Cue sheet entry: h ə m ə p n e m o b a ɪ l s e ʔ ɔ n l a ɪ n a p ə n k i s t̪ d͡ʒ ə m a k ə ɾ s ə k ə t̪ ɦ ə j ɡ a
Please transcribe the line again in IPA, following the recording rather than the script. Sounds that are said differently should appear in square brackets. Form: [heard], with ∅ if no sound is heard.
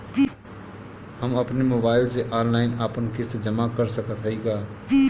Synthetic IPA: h ə m ə p n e m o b a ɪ l s e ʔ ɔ n l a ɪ n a p ə n k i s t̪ d͡ʒ ə m a k ə ɾ s ə k ə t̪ ɦ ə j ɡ a

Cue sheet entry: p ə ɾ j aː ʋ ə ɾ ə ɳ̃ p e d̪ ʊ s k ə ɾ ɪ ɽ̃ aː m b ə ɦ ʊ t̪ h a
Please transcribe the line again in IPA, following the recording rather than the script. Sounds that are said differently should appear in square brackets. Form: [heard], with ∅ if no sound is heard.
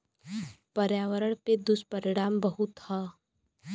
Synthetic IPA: p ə ɾ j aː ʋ ə ɾ ə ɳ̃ p e d̪ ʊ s [p] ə ɾ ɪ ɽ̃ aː m b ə ɦ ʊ t̪ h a

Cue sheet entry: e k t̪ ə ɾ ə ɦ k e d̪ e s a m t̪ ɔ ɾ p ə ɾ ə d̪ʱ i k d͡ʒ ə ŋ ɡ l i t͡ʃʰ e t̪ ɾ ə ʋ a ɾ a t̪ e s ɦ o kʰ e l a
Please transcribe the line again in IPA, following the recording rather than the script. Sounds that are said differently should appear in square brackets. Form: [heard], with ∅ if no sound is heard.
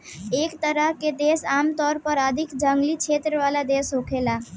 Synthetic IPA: e k t̪ ə ɾ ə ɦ k e d̪ e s a m t̪ ɔ ɾ p ə ɾ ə d̪ʱ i k d͡ʒ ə ŋ ɡ l i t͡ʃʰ e t̪ ɾ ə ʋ a [l] a [d̪] e s ɦ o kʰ e l a

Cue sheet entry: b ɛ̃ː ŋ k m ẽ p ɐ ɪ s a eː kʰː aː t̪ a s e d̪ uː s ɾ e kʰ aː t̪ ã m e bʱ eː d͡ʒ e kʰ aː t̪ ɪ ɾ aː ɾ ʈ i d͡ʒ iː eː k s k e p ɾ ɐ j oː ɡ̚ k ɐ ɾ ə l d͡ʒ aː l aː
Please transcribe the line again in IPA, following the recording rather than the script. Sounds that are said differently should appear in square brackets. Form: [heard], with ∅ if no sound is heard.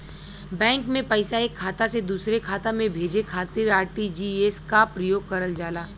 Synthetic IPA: b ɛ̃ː ŋ k m ẽ p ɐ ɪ s a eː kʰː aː t̪ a s e d̪ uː s ɾ e kʰ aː t̪ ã m [ẽ] bʱ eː d͡ʒ e kʰ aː t̪ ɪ ɾ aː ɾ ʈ i d͡ʒ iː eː [∅] s k [a] p ɾ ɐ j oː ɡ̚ k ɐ ɾ ə l d͡ʒ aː l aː

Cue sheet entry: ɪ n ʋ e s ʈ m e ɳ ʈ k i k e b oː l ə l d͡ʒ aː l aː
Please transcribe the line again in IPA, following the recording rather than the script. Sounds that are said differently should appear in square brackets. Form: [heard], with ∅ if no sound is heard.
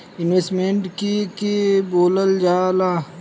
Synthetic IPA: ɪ n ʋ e s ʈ m e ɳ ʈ k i k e b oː l ə l d͡ʒ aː l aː

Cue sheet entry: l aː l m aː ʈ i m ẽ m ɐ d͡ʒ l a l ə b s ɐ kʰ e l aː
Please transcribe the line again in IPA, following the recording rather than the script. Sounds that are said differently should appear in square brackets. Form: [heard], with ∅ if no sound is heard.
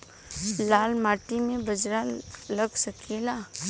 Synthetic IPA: l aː l m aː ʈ i m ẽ [b] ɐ d͡ʒ [ɾ] a l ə [ɡ] s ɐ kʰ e l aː

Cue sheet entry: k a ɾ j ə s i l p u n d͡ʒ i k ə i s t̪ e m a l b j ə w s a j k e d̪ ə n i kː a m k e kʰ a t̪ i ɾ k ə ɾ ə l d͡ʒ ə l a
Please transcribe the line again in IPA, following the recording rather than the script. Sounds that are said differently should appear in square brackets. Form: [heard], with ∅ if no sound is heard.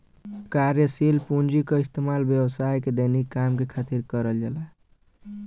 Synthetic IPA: k a ɾ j ə s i l p u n d͡ʒ i k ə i s t̪ e m a l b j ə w s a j k e d̪ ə n i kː a m k e kʰ a t̪ i ɾ k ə ɾ ə l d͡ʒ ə l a

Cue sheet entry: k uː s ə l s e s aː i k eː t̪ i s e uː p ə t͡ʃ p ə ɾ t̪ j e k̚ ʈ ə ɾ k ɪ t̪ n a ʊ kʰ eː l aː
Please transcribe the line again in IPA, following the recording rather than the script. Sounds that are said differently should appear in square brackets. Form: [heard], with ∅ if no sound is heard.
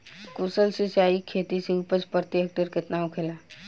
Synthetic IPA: k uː s ə l s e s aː i [kʰ] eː t̪ i s e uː p ə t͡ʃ p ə ɾ t̪ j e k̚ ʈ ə ɾ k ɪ t̪ n a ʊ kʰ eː l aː

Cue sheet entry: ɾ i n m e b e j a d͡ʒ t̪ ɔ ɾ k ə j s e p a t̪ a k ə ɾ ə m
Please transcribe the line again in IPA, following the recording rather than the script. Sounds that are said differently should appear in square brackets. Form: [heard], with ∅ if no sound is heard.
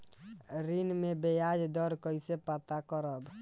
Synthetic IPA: ɾ i n m e b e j a d͡ʒ [d̪] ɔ ɾ k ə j s e p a t̪ a k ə ɾ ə [b]

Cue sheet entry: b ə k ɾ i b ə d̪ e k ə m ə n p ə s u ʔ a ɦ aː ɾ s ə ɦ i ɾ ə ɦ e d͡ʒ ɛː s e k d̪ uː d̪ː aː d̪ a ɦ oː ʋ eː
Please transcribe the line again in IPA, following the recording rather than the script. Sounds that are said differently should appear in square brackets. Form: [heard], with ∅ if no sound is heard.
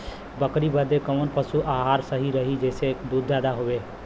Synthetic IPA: b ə k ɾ i b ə d̪ e k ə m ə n p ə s u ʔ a ɦ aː ɾ s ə ɦ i ɾ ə ɦ [i] d͡ʒ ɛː s e k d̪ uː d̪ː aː d̪ a ɦ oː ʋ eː

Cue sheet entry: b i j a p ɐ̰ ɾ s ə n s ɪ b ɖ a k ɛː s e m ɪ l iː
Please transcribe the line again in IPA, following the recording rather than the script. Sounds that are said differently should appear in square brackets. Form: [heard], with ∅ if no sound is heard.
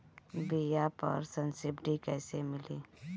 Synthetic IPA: b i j a p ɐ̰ ɾ s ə n s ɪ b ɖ [i] k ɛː s e m ɪ l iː

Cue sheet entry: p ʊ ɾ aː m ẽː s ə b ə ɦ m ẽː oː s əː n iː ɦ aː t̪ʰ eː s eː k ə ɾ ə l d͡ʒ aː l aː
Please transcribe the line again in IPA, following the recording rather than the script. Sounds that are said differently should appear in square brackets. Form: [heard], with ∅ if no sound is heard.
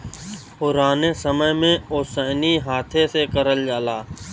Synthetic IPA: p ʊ ɾ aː [n] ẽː s ə [m] ə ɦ m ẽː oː s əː n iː ɦ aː t̪ʰ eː s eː k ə ɾ ə l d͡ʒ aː l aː

